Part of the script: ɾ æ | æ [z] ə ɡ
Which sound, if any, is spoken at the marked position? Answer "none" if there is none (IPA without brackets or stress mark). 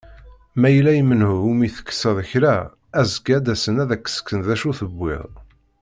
z